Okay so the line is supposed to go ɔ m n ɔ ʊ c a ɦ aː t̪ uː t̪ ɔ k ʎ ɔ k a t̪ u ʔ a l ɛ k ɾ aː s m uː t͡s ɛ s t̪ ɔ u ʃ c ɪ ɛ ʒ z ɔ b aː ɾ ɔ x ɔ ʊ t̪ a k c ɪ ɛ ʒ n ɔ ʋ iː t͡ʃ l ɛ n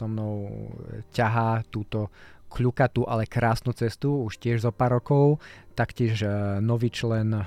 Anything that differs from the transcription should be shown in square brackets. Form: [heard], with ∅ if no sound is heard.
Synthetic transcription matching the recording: ɔ m n ɔ ʊ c a ɦ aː t̪ uː t̪ ɔ k ʎ [u] k a t̪ u ʔ a l ɛ k ɾ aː s [n] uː t͡s ɛ s t̪ [u] u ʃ c ɪ ɛ ʒ z ɔ [p] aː ɾ ɔ [k] ɔ ʊ t̪ a k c ɪ ɛ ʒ n ɔ ʋ iː t͡ʃ l ɛ n